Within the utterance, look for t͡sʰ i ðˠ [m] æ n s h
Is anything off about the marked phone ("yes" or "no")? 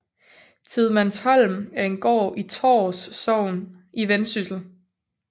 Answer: no